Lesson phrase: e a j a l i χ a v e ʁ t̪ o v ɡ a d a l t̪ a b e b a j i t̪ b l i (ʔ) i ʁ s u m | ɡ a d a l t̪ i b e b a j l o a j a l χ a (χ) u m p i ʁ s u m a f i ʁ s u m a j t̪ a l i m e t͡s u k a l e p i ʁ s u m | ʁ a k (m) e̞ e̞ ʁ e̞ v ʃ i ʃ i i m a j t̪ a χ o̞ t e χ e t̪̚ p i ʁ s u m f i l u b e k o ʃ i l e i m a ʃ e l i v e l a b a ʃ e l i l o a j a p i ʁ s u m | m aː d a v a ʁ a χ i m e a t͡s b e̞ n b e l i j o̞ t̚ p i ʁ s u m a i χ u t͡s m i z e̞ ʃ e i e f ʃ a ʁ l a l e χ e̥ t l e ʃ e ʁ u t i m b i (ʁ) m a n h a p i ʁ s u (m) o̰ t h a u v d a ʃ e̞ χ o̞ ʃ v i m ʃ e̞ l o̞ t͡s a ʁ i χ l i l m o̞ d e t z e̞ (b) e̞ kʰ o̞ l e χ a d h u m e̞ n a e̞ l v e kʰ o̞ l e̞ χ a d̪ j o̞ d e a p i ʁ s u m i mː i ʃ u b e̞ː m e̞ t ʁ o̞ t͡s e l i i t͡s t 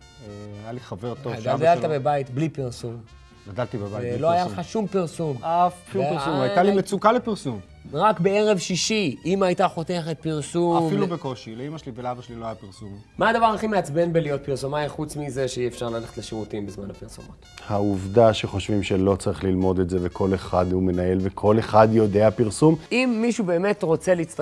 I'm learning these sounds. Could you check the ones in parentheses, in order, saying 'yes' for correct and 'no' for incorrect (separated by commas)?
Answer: no, no, no, no, yes, no